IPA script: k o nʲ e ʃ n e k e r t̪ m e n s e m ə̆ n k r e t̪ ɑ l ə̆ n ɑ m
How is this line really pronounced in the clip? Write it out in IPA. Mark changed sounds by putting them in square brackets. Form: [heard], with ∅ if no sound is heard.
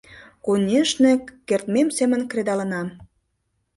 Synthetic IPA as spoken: k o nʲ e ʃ n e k e r t̪ m e [m] s e m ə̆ n k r e [d̪] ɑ l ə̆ n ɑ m